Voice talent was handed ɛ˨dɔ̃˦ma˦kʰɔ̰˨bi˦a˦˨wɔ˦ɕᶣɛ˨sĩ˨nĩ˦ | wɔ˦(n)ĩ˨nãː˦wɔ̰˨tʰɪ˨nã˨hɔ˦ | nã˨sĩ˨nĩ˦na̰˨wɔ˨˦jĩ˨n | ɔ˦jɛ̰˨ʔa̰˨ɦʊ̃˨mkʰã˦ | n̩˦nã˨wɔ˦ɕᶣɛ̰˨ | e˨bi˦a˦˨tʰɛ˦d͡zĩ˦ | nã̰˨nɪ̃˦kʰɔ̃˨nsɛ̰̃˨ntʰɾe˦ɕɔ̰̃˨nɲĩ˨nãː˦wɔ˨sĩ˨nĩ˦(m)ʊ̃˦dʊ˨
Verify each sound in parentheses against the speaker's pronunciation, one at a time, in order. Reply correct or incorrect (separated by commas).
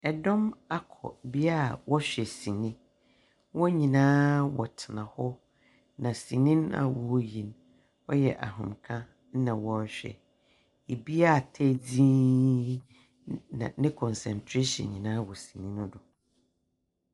incorrect, incorrect